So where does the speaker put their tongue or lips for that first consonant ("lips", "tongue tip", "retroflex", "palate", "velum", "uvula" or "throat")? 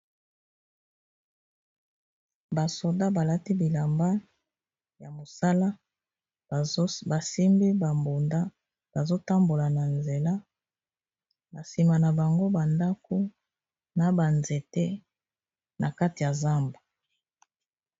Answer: lips